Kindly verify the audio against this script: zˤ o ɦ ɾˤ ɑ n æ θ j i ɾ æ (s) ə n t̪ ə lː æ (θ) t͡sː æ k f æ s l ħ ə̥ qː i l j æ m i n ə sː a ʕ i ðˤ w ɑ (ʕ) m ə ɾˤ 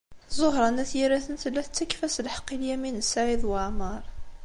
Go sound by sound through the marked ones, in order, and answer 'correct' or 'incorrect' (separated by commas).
incorrect, correct, correct